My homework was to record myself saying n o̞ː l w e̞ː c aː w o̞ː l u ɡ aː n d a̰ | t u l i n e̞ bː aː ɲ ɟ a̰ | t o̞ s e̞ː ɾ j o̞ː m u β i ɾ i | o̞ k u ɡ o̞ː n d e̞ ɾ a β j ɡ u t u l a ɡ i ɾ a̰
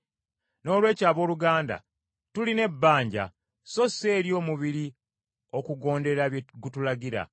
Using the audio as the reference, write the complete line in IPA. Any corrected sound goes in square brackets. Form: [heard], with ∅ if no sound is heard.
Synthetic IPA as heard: n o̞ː l w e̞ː c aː [β] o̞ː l u ɡ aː n d a̰ | t u l i n e̞ bː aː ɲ ɟ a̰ | [s] o̞ s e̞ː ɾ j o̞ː m u β i ɾ i | o̞ k u ɡ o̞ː n d e̞ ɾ a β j ɡ u t u l a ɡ i ɾ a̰